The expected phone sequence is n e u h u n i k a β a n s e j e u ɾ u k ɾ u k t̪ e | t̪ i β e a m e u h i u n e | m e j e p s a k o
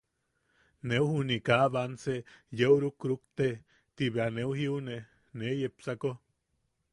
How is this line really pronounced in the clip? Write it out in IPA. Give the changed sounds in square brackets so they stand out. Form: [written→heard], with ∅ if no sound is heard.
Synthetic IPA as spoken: n e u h u n i k a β a n s e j e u ɾ u k ɾ u k t̪ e | t̪ i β e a [m→n] e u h i u n e | [m→n] e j e p s a k o